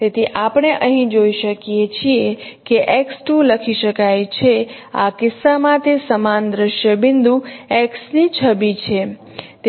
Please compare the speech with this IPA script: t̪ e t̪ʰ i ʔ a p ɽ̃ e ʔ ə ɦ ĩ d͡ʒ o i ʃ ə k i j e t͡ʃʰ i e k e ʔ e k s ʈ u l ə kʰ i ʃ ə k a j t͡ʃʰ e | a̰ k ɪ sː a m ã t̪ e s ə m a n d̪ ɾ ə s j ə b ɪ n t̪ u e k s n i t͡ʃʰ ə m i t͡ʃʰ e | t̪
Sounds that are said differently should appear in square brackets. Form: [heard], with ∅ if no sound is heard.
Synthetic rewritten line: t̪ e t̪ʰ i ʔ a p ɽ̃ e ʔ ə ɦ ĩ d͡ʒ o i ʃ ə k i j e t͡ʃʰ i e k e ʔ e k s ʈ u l ə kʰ i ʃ ə k a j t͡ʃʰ e | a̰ k ɪ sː a m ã t̪ e s ə m a n d̪ ɾ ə [ʃ] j ə b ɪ n [d̪] u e k s n i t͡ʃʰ ə [b] i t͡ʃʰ e | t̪

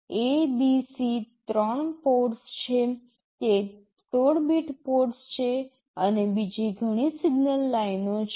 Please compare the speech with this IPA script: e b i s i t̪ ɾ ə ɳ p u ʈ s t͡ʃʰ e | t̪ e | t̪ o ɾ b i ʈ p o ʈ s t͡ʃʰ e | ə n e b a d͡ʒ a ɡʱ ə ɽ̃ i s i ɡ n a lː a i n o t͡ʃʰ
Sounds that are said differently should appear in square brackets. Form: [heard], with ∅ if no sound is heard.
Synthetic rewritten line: e b i s i t̪ ɾ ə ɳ p [o] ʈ s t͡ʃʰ e | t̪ e | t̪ o [ɽ] b i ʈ p o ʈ s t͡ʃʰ e | ə n e b [i] d͡ʒ [i] ɡʱ ə ɽ̃ i s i ɡ n [ə] lː a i n o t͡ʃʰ

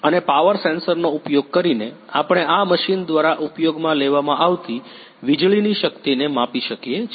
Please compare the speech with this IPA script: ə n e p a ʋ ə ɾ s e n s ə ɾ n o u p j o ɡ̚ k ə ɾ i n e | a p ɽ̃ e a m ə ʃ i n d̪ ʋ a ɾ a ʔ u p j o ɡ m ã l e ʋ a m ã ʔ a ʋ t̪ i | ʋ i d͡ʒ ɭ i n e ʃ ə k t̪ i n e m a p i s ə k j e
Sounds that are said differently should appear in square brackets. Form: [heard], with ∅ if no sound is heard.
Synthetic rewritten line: ə n e p a ʋ ə ɾ s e n s ə ɾ n o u p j o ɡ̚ k ə ɾ i n e | a p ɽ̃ e a m ə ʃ i n d̪ ʋ a ɾ a ʔ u p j o ɡ m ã l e ʋ a m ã ʔ a ʋ t̪ i | ʋ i d͡ʒ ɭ i n [i] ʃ ə k t̪ i n e m a p i [ʃ] ə k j e

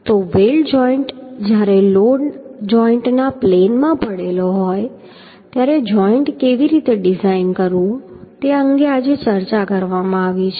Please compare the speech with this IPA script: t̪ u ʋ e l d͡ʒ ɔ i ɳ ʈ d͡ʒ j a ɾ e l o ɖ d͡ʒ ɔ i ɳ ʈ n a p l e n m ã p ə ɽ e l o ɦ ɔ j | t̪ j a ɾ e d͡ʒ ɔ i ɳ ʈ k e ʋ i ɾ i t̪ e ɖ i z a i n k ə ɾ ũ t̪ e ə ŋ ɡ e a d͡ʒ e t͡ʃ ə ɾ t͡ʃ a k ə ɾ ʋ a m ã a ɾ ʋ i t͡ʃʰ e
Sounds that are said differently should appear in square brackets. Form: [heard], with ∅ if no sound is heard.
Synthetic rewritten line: t̪ [o] ʋ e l d͡ʒ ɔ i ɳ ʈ d͡ʒ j a ɾ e l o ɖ d͡ʒ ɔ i ɳ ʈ n a p l e n m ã p ə ɽ e l o ɦ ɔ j | t̪ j a ɾ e d͡ʒ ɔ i ɳ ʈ k e ʋ i ɾ i t̪ e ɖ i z a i n k ə ɾ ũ t̪ e ə ŋ ɡ e a d͡ʒ e t͡ʃ ə ɾ t͡ʃ a k ə ɾ ʋ a m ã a [∅] ʋ i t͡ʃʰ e

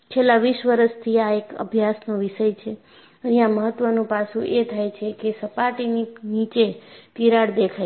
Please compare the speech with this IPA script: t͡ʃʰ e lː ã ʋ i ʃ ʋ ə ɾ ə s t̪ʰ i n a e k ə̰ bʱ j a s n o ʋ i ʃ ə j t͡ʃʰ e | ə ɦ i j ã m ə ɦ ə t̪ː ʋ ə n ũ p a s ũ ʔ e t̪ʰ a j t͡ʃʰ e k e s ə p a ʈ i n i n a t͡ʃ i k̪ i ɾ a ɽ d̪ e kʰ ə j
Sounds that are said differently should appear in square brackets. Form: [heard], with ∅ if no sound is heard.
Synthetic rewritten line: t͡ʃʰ e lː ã ʋ i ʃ ʋ ə ɾ ə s t̪ʰ i [∅] a e k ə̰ bʱ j a s n o ʋ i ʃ ə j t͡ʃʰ e | ə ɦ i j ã m ə ɦ ə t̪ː ʋ ə n ũ p a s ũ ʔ e t̪ʰ a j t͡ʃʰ e k e s ə p a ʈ i n i n [i] t͡ʃ [e] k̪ i ɾ a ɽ d̪ e kʰ [a] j

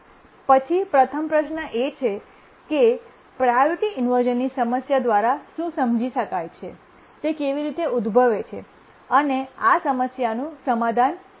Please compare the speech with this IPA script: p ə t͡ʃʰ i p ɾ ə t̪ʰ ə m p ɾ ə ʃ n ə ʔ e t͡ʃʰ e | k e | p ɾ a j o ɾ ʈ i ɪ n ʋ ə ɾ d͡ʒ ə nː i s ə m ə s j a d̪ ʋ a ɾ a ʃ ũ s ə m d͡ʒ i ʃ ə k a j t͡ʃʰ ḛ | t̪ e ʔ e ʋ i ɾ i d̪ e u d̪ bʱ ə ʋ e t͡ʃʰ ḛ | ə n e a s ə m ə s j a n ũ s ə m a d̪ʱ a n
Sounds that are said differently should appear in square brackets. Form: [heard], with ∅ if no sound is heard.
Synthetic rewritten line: p ə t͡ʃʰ i p ɾ ə t̪ʰ ə m p ɾ ə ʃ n ə ʔ e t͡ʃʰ e | k e | p ɾ a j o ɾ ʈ i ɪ n ʋ ə ɾ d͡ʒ ə nː i s ə m ə s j a d̪ ʋ a ɾ a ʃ ũ s ə m d͡ʒ i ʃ ə k a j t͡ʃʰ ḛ | t̪ e [k] e ʋ i ɾ i [t̪] e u d̪ bʱ ə ʋ e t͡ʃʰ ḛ | ə n e a s ə m ə s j a n ũ s ə m a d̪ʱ a n

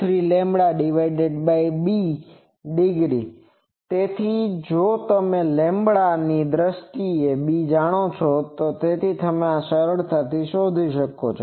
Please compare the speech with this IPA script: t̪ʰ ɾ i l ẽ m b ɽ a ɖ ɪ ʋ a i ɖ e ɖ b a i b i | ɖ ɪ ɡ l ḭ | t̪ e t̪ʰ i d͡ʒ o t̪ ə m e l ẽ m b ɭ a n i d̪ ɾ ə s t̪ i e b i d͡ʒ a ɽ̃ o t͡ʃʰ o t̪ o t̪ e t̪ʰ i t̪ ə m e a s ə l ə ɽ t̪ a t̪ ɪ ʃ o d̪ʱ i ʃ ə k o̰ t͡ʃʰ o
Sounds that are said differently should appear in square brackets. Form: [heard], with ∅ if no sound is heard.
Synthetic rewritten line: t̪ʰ ɾ i l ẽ m b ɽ a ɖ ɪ ʋ a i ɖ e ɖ b a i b i | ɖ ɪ ɡ [ɾ] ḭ | t̪ e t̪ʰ i d͡ʒ o t̪ ə m e l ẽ m b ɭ a n i d̪ ɾ ə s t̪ i e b i d͡ʒ a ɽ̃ o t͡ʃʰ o t̪ o t̪ e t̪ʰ i t̪ ə m e a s ə [ɾ] ə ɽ t̪ a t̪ [i] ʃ o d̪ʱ i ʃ ə k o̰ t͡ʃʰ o

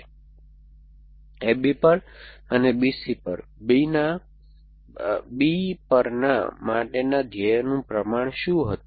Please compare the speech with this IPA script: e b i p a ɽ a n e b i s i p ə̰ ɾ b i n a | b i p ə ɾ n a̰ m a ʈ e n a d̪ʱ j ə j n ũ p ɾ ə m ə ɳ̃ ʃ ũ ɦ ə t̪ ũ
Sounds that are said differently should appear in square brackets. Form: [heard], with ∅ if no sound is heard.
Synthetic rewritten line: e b i p [ə] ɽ [ə] n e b i s i p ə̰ ɾ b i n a | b i p ə ɾ n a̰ m a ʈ e n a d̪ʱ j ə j n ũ p ɾ ə m [a] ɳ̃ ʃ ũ ɦ ə t̪ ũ

